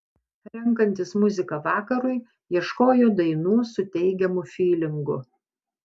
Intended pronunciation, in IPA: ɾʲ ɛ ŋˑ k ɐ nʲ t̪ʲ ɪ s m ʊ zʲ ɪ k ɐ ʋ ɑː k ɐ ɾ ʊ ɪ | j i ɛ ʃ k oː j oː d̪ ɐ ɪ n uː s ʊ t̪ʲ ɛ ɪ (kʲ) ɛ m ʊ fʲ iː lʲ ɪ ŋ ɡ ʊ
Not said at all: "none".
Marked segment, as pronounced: ɡʲ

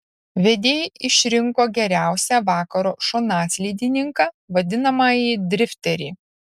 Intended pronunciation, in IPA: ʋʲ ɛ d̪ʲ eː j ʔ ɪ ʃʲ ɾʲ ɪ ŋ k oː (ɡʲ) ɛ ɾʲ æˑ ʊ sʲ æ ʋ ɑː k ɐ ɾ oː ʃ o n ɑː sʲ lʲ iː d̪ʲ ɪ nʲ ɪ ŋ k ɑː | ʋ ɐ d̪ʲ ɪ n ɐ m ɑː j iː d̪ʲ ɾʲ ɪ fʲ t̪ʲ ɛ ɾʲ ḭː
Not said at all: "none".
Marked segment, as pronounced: ɡʲ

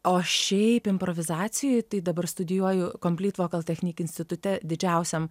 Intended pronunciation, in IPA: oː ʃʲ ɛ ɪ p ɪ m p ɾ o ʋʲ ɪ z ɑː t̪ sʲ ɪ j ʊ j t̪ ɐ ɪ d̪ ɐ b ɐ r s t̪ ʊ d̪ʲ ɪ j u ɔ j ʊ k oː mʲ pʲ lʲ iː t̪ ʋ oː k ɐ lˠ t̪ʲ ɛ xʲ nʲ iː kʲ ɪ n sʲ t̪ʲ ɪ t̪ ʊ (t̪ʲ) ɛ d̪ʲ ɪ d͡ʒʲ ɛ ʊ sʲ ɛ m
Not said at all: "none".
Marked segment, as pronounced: t̪ʲ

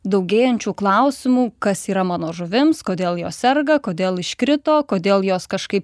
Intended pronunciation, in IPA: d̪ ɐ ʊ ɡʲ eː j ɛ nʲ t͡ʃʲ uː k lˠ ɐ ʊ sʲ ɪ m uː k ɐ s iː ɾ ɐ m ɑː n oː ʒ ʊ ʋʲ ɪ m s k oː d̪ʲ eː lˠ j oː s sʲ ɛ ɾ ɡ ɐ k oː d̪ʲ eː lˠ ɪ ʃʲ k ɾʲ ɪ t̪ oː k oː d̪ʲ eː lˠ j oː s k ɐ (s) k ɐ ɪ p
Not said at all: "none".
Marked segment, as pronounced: ʃ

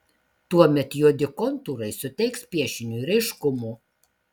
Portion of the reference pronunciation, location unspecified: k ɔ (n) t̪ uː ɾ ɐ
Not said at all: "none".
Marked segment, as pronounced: n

